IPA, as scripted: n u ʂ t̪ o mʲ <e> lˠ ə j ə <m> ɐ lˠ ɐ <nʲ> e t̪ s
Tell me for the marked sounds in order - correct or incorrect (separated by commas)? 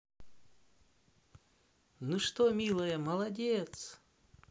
incorrect, correct, incorrect